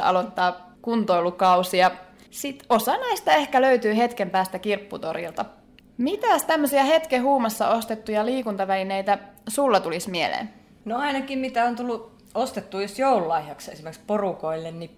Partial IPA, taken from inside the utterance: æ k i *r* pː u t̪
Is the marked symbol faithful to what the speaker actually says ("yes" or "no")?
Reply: yes